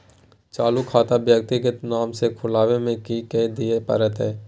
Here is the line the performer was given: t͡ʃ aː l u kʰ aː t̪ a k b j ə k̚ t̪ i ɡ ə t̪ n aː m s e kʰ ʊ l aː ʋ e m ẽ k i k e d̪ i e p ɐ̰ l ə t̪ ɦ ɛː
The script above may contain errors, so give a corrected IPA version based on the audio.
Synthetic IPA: t͡ʃ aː l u kʰ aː t̪ a b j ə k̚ t̪ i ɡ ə t̪ n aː m s e kʰ ʊ l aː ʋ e m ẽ k i k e d̪ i e p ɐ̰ ɾ ə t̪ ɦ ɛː